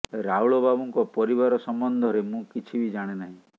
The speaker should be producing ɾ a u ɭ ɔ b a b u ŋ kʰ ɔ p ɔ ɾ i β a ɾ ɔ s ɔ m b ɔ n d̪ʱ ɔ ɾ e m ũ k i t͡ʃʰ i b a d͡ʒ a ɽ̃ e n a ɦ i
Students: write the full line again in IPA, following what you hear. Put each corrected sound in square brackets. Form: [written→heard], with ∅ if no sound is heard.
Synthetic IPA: ɾ a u ɭ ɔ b a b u ŋ [kʰ→k] ɔ p ɔ ɾ i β a ɾ ɔ s ɔ m b ɔ n d̪ʱ ɔ ɾ e m ũ k i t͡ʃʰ i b [a→i] d͡ʒ a ɽ̃ e n a ɦ [i→ĩ]